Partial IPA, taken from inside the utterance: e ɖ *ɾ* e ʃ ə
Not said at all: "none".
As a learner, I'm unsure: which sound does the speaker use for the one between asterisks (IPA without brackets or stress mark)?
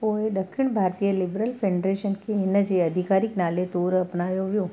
ɾ